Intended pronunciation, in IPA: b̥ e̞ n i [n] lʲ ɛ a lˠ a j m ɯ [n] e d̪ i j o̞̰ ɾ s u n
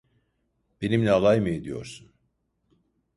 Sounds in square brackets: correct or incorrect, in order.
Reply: incorrect: m, incorrect: none

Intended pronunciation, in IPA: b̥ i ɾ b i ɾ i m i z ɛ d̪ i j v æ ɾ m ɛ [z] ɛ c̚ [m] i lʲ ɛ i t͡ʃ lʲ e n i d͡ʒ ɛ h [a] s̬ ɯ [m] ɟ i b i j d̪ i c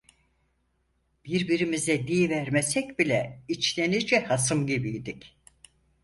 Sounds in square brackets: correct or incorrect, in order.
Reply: incorrect: s, incorrect: b, correct, correct

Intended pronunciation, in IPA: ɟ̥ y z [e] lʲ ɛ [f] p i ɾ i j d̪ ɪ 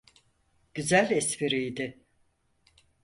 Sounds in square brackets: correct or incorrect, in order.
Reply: incorrect: æ, incorrect: s

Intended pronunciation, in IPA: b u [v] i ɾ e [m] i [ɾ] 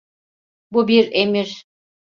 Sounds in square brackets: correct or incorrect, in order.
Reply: incorrect: b, correct, correct

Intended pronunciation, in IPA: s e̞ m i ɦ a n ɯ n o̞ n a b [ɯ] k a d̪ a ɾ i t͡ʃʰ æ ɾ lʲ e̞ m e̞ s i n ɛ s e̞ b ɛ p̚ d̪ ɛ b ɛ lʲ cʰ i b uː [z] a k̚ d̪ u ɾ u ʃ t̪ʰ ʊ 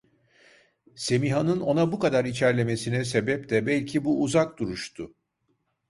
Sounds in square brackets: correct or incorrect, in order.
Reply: incorrect: u, correct

